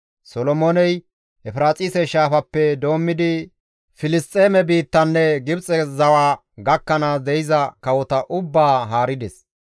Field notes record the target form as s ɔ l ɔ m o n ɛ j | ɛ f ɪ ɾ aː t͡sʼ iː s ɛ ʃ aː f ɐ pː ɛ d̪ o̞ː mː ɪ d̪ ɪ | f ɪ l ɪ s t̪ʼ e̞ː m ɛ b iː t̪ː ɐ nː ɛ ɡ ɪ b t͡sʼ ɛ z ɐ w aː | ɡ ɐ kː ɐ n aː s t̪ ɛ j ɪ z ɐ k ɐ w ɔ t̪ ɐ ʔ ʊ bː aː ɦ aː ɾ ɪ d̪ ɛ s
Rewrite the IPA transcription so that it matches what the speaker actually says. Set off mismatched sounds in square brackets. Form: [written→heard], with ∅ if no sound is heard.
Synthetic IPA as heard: s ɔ l ɔ m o n ɛ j | ɛ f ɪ ɾ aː t͡sʼ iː s ɛ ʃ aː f ɐ pː ɛ d̪ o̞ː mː ɪ d̪ ɪ | f ɪ l ɪ s t̪ʼ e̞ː m ɛ b iː t̪ː ɐ nː ɛ ɡ ɪ b t͡sʼ ɛ z ɐ w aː | ɡ ɐ kː ɐ n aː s [t̪→d̪] ɛ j ɪ z ɐ k ɐ w ɔ t̪ ɐ ʔ ʊ bː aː ɦ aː ɾ ɪ d̪ ɛ s